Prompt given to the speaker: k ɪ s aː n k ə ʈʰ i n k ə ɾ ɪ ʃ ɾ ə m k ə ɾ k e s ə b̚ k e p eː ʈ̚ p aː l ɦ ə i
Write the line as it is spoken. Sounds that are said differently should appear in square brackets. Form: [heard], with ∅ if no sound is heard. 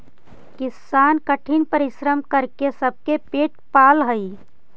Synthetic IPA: k ɪ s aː n k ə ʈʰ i n [p] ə ɾ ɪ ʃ ɾ ə m k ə ɾ k e s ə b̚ k e p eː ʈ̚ p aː l ɦ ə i